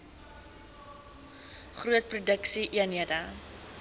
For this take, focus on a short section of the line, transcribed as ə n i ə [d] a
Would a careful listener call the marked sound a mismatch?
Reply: no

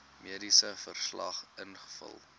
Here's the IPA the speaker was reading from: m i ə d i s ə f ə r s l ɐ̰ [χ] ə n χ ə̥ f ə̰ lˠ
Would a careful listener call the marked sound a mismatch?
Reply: no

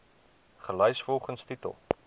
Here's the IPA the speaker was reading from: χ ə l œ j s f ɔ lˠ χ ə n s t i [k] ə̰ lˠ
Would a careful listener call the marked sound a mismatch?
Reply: yes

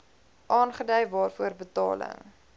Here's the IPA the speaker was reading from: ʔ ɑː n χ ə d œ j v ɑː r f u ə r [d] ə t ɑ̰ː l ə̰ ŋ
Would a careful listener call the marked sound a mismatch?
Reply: yes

